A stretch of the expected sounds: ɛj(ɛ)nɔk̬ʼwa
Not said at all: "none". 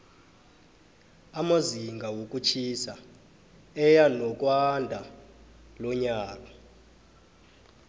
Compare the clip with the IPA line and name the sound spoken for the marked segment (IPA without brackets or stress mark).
a